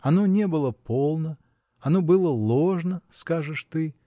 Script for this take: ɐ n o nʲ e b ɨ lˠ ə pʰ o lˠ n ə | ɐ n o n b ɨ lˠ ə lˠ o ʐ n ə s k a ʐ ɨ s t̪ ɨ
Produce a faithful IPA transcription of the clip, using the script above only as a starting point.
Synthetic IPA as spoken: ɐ n o nʲ e b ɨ lˠ ə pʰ o lˠ n ə | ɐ n o b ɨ lˠ ə lˠ o ʐ n ə s k a ʐ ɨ ʂ t̪ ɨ